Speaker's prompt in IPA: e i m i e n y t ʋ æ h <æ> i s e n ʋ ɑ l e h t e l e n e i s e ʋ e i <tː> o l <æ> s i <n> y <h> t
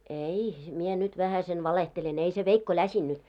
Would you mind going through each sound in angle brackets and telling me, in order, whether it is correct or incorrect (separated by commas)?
correct, incorrect, correct, incorrect, incorrect